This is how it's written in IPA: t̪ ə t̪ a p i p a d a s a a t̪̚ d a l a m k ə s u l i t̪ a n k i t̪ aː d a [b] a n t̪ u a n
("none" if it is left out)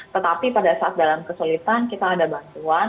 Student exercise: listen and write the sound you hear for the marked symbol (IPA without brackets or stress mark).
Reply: b